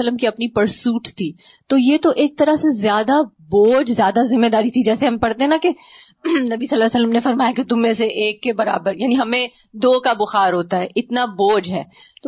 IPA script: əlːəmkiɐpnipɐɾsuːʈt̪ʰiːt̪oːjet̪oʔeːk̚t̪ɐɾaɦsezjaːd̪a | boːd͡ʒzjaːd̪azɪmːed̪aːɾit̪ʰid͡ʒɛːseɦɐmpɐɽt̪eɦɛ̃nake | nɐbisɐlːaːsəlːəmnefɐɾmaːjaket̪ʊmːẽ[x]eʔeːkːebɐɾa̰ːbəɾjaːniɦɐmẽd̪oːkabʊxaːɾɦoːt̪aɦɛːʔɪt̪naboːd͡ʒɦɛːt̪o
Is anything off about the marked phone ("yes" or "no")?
yes